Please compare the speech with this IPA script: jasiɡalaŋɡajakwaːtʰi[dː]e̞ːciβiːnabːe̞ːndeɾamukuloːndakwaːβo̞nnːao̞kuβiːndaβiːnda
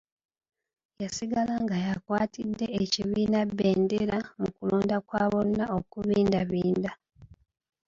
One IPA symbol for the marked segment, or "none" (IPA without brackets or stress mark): dː